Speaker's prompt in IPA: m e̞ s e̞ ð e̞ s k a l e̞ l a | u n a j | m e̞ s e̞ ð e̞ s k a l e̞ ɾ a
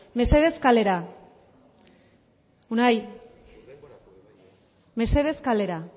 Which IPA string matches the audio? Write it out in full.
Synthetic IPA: m e̞ s e̞ ð e̞ s k a l e̞ ɾ a | u n a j | m e̞ s e̞ ð e̞ s k a l e̞ ɾ a